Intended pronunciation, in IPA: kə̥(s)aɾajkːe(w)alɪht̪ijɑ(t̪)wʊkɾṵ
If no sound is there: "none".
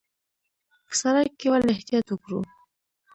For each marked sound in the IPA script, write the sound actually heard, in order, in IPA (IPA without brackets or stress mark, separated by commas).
s, w, t̪